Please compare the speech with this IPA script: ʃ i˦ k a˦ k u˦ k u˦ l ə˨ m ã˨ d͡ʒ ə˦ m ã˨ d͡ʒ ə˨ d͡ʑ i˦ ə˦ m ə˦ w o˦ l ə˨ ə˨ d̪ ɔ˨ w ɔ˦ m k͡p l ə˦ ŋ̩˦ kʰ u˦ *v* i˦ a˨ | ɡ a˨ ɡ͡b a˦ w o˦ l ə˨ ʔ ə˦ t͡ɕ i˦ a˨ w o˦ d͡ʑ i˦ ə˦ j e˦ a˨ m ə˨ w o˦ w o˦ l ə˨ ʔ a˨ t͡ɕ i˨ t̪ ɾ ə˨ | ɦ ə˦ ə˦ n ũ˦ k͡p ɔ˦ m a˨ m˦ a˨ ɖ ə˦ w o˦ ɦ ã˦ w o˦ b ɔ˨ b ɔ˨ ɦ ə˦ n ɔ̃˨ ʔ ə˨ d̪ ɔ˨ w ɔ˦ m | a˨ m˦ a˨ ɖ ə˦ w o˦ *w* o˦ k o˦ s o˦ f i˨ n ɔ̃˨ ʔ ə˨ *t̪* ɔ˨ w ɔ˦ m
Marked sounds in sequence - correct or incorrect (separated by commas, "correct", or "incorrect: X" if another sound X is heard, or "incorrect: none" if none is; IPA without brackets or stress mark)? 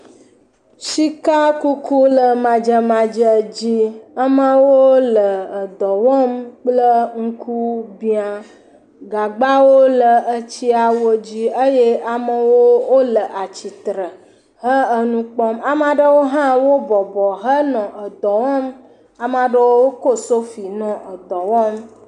incorrect: b, correct, incorrect: d̪